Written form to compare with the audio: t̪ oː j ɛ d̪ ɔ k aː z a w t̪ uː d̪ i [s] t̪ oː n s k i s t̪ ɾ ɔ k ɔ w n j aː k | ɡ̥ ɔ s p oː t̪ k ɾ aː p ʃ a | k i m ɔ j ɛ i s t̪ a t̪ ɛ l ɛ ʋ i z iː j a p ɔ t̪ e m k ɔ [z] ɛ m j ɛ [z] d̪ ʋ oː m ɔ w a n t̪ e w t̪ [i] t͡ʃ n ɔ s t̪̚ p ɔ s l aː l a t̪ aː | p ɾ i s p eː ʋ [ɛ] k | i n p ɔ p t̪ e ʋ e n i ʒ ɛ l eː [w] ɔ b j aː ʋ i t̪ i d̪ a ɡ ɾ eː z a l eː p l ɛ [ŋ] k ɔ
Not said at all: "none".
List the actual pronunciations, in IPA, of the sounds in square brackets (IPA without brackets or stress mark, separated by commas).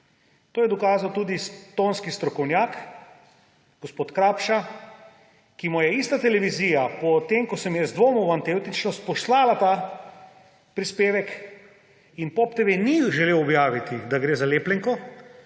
s, s, z, i, ɛ, w, ŋ